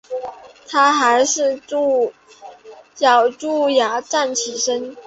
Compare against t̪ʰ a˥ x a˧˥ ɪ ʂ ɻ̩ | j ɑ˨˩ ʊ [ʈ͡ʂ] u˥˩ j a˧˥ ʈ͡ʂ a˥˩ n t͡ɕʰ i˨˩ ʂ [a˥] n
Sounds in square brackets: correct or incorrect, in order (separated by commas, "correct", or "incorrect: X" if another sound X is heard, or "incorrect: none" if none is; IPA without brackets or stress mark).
correct, incorrect: ə˥